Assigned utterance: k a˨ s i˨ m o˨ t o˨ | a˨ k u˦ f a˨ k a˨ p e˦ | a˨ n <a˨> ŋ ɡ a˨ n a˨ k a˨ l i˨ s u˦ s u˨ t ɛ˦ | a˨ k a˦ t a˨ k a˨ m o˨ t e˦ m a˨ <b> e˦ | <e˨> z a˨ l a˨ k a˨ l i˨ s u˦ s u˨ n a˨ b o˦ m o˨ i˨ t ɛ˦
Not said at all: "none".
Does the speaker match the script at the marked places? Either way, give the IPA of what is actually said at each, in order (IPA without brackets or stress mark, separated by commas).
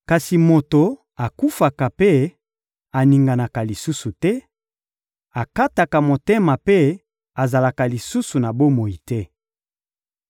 i˨, p, a˨